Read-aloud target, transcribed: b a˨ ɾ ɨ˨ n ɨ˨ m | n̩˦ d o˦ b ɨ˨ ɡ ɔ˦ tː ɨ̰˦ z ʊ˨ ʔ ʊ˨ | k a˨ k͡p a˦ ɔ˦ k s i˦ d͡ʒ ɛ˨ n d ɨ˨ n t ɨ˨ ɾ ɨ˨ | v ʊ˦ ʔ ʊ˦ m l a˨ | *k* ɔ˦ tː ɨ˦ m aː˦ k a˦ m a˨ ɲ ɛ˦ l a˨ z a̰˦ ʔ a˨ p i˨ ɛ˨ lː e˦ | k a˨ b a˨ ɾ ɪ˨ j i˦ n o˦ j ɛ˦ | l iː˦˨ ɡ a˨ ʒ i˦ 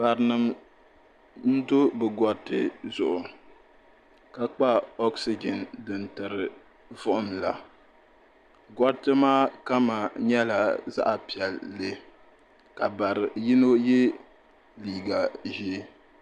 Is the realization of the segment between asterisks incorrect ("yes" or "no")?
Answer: yes